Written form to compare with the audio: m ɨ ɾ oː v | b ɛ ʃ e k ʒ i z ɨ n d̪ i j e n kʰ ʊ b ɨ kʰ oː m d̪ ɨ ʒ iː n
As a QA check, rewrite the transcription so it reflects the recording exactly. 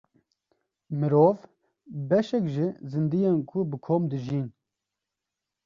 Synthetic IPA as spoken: m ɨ ɾ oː v | b ɛ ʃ ɛ k ʒ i z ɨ n d̪ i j e n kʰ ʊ b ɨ kʰ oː m d̪ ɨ ʒ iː n